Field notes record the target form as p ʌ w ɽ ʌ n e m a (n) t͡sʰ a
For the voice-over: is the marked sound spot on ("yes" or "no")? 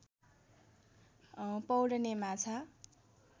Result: no